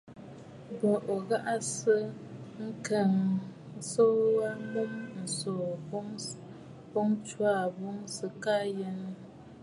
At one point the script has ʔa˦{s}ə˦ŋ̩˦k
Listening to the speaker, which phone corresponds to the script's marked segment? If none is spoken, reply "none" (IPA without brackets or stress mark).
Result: s